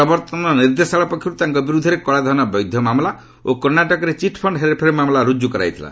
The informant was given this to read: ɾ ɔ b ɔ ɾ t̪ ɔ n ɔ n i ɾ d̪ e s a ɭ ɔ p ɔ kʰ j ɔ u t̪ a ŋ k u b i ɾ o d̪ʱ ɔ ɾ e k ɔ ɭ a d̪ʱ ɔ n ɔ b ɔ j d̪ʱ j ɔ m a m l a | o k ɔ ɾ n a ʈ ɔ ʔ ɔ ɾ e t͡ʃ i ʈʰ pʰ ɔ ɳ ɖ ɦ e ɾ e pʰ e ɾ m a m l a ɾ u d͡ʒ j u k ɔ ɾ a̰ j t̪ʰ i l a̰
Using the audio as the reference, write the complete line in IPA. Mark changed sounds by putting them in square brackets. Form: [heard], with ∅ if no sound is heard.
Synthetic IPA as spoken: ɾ ɔ b ɔ ɾ t̪ ɔ n ɔ n i ɾ d̪ e s a ɭ ɔ p ɔ kʰ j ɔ u t̪ a ŋ k [ɔ] b i ɾ [u] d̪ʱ ɔ ɾ e k ɔ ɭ a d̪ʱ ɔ n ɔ b ɔ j d̪ʱ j ɔ m a m l a | o k ɔ ɾ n a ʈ ɔ [k] ɔ ɾ e t͡ʃ i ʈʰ pʰ ɔ ɳ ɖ ɦ e ɾ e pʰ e ɾ m a m l a ɾ u d͡ʒ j u k ɔ ɾ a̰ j t̪ʰ i l a̰

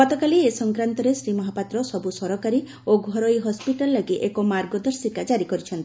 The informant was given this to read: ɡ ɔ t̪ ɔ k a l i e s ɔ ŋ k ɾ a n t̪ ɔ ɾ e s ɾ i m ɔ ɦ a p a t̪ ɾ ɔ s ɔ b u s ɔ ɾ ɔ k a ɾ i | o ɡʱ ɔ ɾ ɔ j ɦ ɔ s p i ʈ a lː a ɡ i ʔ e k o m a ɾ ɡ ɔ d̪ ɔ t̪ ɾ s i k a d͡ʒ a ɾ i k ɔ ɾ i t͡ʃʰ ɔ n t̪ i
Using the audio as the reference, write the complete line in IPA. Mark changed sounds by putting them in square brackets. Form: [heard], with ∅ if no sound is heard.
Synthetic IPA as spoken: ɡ ɔ t̪ ɔ k a l i e s ɔ ŋ k ɾ a n t̪ ɔ ɾ e s ɾ i m ɔ ɦ a p a t̪ ɾ ɔ s ɔ b u s ɔ ɾ ɔ k a ɾ i | o ɡʱ ɔ ɾ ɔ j ɦ ɔ s p i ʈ a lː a ɡ i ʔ e k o m a ɾ ɡ ɔ d̪ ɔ [∅] ɾ s i k a d͡ʒ a ɾ i k ɔ ɾ i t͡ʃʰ ɔ n t̪ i

